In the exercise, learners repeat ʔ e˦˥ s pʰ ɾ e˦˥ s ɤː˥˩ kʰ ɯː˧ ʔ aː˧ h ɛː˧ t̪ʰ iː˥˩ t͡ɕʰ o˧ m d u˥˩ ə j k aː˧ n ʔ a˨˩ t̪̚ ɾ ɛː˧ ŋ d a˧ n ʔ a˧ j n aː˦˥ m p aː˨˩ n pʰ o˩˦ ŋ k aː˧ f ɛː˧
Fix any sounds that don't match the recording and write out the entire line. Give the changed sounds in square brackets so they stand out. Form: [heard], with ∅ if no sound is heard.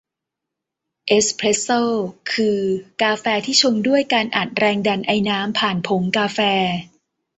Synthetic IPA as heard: ʔ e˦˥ s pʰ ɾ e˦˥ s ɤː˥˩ kʰ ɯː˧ [k] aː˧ [f] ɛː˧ t̪ʰ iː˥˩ t͡ɕʰ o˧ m d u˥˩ ə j k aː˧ n ʔ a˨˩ t̪̚ ɾ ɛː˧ ŋ d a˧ n ʔ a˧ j n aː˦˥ m [pʰ] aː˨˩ n pʰ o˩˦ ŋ k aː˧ f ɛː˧